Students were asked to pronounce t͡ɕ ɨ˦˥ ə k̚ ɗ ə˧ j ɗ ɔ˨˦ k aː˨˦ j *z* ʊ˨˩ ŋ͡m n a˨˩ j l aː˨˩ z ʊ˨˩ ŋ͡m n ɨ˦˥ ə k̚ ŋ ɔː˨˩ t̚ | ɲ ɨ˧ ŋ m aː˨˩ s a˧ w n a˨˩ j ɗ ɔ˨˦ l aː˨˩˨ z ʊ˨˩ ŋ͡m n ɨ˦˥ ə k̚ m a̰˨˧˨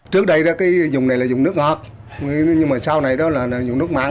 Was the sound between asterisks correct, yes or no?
yes